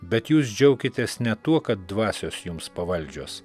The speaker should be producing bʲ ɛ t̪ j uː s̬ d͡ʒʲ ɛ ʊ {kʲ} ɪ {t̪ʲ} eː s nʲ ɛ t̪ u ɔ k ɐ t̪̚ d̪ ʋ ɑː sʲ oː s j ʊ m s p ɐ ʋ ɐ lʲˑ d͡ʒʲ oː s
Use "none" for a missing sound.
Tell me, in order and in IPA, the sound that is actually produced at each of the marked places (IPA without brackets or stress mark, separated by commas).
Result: kʲ, t̪ʲ